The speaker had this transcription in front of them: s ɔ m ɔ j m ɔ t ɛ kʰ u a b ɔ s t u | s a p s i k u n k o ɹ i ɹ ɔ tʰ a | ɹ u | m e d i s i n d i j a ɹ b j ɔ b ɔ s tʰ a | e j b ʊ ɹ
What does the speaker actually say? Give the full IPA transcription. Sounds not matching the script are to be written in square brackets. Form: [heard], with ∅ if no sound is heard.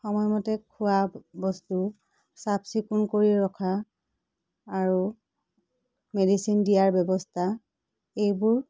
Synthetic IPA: [x] ɔ m ɔ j m ɔ t ɛ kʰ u a b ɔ s t u | s a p s i k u n k o ɹ i ɹ ɔ [kʰ] a | ɹ u | m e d i s i n d i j a ɹ b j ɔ b ɔ s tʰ a | e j b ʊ ɹ